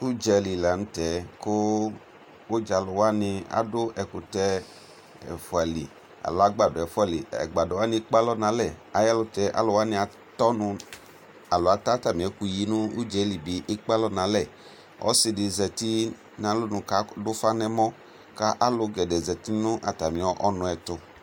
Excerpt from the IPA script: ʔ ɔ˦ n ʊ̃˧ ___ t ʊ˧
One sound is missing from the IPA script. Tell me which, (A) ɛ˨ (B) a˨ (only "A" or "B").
A